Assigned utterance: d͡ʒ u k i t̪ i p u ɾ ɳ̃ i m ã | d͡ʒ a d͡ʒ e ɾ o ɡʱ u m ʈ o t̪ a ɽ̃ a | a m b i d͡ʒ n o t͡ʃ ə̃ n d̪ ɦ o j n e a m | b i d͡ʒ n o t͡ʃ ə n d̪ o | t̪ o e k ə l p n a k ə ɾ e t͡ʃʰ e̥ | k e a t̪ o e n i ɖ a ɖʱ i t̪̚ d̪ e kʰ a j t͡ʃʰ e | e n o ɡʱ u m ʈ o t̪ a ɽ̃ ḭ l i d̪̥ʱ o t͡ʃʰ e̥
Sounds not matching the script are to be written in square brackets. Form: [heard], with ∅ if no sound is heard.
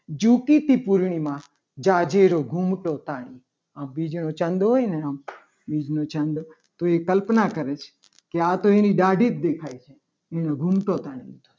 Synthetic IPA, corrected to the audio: d͡ʒ u k i t̪ i p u ɾ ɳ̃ i m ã | d͡ʒ a d͡ʒ e ɾ o ɡʱ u m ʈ o t̪ a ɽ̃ [i] | a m b i d͡ʒ n o t͡ʃ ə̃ n d̪ ɦ o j n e a m | b i d͡ʒ n o t͡ʃ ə n d̪ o | t̪ o e k ə l p n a k ə ɾ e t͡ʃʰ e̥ | k e a t̪ o e n i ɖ a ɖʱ i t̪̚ d̪ e kʰ a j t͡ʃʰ e | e n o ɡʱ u m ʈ o t̪ a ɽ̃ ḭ l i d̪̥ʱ o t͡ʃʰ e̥